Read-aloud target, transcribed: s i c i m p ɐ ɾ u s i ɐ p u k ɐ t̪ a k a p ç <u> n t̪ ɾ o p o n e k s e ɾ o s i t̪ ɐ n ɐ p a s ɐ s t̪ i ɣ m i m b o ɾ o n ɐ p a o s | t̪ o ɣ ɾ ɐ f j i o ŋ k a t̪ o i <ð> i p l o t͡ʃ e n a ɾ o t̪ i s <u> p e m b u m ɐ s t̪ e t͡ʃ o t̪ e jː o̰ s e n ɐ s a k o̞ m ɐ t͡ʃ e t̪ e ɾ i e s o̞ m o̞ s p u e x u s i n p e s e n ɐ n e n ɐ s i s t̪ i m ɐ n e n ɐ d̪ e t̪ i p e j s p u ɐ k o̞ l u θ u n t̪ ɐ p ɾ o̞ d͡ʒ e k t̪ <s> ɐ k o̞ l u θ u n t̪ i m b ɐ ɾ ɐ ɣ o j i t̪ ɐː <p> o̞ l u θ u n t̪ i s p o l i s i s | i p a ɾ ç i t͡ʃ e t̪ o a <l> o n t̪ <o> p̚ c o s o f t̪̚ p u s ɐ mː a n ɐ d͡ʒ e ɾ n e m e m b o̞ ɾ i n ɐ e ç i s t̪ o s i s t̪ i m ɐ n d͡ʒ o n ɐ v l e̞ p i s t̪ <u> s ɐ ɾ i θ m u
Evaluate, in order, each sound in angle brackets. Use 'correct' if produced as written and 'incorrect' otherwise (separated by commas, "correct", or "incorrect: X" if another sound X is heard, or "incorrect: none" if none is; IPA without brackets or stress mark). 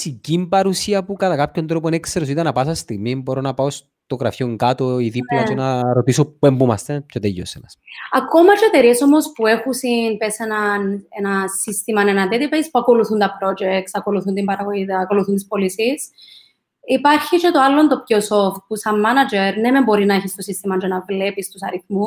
incorrect: o, correct, incorrect: o, correct, incorrect: k, incorrect: lː, correct, correct